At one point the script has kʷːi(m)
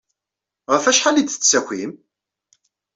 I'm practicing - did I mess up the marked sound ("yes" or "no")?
no